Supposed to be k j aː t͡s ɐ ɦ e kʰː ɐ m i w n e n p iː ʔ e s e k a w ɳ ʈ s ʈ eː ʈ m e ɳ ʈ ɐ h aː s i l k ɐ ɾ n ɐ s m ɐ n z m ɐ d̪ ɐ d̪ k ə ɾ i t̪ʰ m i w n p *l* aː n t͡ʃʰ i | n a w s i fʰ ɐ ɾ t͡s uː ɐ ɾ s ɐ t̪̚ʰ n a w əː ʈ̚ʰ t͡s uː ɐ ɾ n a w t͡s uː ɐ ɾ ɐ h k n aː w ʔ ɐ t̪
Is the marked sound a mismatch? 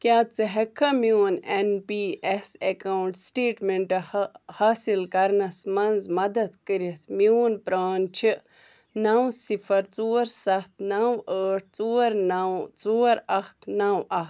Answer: yes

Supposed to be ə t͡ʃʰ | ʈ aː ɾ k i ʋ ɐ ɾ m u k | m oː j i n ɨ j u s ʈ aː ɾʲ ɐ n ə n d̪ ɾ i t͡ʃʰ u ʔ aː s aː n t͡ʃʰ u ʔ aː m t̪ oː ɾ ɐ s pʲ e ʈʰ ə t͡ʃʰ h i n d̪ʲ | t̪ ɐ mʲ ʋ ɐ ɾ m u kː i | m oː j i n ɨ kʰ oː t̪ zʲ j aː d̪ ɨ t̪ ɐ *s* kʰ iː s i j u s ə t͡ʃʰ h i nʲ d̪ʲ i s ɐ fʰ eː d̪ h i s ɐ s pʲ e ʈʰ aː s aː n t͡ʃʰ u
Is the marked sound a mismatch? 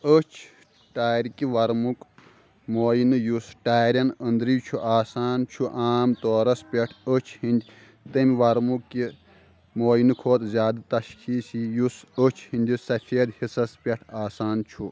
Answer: yes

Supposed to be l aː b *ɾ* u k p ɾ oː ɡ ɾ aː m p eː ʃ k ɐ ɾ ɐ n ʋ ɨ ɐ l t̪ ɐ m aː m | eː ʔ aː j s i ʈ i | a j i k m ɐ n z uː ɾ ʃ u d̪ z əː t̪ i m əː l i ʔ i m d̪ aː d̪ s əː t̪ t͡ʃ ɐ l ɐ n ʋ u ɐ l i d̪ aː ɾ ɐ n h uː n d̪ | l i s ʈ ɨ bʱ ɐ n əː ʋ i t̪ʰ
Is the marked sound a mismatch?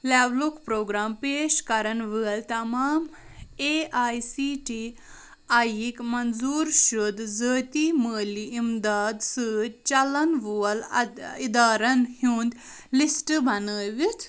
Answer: yes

